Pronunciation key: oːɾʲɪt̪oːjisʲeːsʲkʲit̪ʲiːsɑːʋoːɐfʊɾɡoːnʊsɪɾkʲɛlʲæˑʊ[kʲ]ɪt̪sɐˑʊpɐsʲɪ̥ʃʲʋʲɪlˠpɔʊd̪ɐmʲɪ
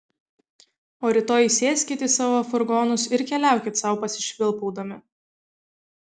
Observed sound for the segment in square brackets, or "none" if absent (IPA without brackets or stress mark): kʲ